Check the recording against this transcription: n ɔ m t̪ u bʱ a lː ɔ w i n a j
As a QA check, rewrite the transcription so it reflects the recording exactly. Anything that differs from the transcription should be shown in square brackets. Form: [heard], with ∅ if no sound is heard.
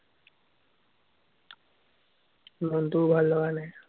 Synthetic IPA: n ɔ [n] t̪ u bʱ a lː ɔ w [a] n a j